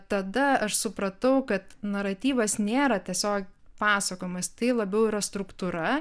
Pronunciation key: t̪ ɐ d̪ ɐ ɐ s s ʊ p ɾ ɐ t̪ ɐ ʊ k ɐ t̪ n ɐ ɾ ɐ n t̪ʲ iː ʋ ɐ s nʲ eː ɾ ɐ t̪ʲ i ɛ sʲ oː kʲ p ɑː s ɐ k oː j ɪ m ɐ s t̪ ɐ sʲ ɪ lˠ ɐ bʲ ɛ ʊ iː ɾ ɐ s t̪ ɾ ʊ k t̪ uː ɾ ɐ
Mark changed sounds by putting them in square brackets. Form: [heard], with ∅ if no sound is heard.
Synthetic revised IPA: t̪ ɐ d̪ ɐ ɐ [ʃ] s ʊ p ɾ ɐ t̪ ɐ ʊ k ɐ t̪ n ɐ ɾ ɐ [∅] t̪ʲ iː ʋ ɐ s nʲ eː ɾ ɐ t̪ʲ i ɛ sʲ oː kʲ p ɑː s ɐ k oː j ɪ m ɐ s t̪ ɐ [∅] ɪ lˠ ɐ bʲ ɛ ʊ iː ɾ ɐ s t̪ ɾ ʊ k t̪ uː ɾ ɐ